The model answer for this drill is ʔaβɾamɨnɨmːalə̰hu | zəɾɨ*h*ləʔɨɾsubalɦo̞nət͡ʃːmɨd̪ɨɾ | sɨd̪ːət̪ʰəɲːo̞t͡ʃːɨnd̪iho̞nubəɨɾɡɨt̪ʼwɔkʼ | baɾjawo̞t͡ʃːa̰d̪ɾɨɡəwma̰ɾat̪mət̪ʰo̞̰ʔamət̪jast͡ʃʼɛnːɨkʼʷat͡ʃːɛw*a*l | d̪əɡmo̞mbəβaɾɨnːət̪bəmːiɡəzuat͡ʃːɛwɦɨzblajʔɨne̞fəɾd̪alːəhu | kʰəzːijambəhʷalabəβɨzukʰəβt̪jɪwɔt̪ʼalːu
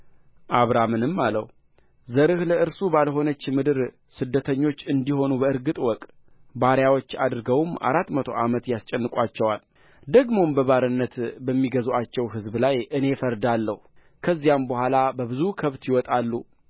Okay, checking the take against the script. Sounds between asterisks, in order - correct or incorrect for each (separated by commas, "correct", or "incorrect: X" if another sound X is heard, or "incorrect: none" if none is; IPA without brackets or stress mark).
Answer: correct, correct